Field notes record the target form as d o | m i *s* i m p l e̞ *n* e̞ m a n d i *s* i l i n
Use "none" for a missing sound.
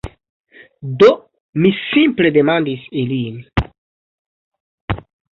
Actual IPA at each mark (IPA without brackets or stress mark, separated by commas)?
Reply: s, d, s